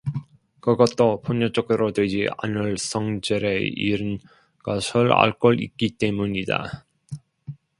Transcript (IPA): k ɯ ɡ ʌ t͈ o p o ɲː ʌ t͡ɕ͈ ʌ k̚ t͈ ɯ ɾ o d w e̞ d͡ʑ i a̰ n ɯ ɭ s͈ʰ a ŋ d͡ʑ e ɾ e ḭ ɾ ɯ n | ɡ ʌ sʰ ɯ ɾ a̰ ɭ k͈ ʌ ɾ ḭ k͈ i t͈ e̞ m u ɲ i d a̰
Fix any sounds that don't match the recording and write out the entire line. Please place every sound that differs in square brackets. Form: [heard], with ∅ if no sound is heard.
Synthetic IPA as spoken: k ɯ ɡ ʌ t͈ o p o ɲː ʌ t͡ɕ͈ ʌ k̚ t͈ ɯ ɾ o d w e̞ d͡ʑ i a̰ n ɯ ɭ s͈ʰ [ʌ] ŋ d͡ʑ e ɾ e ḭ ɾ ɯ n | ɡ ʌ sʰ ɯ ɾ a̰ ɭ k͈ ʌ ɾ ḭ k͈ i t͈ e̞ m u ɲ i d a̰